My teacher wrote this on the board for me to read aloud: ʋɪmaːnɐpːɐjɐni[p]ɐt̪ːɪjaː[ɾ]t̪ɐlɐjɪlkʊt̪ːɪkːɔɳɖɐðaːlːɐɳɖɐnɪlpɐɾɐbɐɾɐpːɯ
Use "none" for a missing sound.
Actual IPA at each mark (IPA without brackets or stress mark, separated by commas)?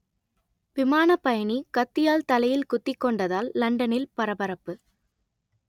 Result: k, l